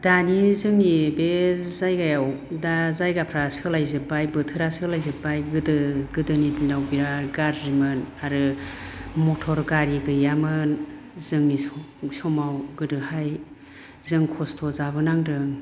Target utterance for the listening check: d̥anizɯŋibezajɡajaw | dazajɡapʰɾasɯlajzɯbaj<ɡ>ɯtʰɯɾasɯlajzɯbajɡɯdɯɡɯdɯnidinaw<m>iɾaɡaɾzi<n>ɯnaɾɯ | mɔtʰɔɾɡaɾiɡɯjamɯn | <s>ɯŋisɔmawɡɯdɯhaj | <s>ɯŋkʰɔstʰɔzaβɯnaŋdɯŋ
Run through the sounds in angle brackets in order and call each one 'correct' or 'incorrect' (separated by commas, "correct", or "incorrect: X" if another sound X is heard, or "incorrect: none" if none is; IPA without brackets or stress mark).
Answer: incorrect: b, incorrect: b, incorrect: m, incorrect: z, incorrect: z